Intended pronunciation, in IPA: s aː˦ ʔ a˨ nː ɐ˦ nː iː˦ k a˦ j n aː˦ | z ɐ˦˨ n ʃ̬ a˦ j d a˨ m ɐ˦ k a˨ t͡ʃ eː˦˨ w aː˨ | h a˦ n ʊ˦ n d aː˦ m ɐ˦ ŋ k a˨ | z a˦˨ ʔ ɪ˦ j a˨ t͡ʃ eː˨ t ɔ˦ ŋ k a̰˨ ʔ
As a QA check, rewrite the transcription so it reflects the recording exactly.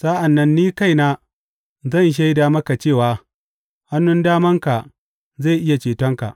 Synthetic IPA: s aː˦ ʔ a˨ nː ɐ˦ nː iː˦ k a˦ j n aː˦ | z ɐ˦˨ n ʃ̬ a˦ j d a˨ m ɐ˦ k a˨ t͡ʃ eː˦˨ w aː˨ | h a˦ nː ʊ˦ n d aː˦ m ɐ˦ ŋ k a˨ | z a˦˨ ʔ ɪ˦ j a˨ t͡ʃ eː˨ t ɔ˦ ŋ k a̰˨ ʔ